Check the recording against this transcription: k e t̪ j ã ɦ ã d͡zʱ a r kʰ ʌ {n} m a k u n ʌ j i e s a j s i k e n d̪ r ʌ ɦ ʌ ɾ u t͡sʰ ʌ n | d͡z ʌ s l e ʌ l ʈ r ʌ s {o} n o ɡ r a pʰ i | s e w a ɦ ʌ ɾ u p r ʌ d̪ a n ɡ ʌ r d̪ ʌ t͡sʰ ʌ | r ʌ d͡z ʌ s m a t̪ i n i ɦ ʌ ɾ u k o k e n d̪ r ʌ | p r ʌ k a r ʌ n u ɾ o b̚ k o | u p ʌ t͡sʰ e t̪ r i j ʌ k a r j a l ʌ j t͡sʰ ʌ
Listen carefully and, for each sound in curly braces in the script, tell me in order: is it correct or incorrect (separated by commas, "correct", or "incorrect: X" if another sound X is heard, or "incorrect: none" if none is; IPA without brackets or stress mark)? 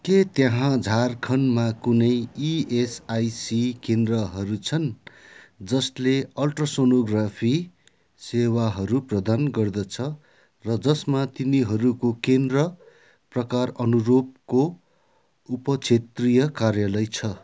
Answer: correct, correct